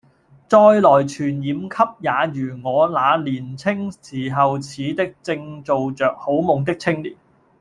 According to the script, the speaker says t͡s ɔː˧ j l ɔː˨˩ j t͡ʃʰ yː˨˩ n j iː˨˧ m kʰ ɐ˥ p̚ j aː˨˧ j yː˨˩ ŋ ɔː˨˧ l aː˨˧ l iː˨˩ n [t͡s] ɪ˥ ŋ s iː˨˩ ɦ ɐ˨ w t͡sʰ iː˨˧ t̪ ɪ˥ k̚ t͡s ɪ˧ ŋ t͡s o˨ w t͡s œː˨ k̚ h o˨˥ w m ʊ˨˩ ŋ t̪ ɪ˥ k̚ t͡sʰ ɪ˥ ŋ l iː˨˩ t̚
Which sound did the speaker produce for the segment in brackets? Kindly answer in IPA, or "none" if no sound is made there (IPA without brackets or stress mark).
t͡sʰ